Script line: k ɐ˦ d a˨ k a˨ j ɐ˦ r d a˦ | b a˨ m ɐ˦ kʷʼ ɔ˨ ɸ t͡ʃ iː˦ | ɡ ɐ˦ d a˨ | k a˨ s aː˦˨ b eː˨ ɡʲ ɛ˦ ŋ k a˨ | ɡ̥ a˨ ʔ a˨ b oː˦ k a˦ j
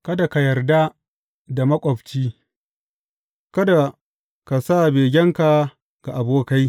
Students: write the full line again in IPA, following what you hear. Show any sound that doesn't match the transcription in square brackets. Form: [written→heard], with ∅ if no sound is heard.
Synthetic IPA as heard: k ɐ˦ d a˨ k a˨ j [ɐ˦→ɐ˨] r d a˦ | [b→d] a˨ m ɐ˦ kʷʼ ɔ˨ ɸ t͡ʃ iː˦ | [ɡ→k] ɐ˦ d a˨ | k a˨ s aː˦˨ b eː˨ ɡʲ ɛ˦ ŋ k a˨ | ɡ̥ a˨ ʔ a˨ b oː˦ k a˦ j